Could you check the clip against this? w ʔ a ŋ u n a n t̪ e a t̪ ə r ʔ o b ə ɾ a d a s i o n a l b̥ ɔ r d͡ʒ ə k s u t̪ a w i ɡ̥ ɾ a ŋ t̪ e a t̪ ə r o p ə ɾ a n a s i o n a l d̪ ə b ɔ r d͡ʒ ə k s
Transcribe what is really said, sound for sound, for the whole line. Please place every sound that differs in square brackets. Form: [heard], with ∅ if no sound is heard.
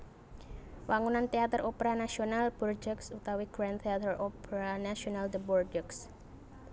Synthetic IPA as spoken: w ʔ a ŋ u n a n t̪ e a t̪ ə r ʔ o [p] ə ɾ a [n] a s i o n a l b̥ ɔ r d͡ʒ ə k s u t̪ a w i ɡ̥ ɾ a [n] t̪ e a t̪ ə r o p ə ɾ a n a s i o n a l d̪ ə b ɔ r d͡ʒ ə k s